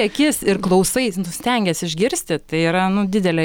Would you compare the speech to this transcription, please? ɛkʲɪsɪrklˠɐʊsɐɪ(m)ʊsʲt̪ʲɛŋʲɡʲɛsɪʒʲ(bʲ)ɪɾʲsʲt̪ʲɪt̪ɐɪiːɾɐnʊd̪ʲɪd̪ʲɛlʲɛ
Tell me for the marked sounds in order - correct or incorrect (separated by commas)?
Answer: incorrect, incorrect